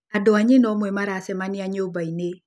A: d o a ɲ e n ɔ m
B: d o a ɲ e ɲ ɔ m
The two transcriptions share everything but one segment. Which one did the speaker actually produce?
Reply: A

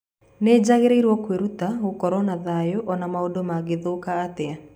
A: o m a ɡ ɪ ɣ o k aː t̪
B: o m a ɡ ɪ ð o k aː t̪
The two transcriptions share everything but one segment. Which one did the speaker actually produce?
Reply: B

